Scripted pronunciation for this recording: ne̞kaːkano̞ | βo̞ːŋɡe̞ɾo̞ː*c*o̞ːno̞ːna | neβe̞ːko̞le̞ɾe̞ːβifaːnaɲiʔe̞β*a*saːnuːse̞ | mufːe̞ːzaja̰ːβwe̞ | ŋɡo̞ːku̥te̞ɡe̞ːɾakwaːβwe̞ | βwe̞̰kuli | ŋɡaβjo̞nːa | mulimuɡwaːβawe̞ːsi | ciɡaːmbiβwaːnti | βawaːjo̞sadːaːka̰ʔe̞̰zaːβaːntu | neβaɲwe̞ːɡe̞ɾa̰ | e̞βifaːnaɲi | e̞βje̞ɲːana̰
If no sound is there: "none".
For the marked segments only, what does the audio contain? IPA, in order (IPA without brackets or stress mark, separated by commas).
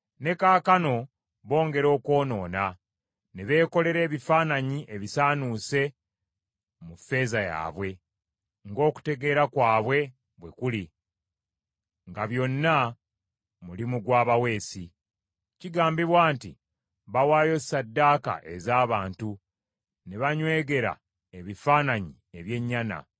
k, i